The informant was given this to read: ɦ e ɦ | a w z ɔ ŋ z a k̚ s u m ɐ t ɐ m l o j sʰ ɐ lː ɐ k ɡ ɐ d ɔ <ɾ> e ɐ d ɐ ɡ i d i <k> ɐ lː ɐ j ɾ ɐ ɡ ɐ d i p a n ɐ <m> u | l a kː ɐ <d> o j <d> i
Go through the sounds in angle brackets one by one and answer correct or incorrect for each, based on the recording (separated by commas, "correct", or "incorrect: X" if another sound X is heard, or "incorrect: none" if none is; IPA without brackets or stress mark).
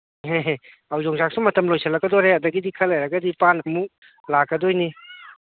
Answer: correct, incorrect: kʰ, correct, correct, incorrect: n